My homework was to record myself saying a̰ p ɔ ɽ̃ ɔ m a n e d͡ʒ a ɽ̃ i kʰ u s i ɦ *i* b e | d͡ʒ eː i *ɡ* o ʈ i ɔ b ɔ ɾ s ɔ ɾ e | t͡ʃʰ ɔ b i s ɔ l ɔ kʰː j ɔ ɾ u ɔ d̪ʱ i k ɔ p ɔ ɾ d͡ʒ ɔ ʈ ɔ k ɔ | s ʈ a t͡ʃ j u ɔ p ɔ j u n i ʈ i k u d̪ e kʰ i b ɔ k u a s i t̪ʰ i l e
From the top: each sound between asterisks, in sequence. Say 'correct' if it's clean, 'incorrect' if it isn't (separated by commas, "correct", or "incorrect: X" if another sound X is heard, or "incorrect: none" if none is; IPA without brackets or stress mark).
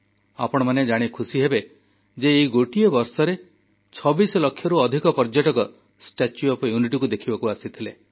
incorrect: e, correct